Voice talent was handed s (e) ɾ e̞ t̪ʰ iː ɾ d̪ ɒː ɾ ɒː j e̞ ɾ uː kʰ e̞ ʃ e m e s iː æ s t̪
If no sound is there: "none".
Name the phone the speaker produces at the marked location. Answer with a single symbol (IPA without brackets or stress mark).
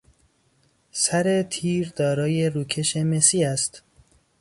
æ